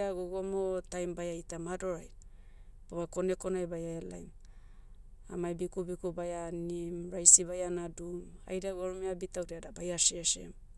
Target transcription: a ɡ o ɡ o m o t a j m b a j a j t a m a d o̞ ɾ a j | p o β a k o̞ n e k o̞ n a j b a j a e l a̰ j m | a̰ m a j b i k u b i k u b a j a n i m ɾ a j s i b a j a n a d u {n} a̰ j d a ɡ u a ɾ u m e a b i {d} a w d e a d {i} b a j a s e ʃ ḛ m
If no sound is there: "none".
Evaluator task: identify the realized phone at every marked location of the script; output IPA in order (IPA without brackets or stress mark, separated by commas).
m, t, a